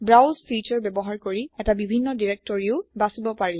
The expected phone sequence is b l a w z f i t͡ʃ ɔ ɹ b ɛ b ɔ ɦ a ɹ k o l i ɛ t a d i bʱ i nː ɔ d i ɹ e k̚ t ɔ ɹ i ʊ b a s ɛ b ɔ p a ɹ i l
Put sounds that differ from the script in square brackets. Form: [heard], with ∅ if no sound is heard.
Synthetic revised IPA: b [ɹ] a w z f i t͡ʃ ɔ ɹ b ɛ b ɔ ɦ a ɹ k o [ɹ] i ɛ t a [b] i bʱ i nː ɔ d i ɹ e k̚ t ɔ ɹ i ʊ b a s [i] b ɔ p a ɹ i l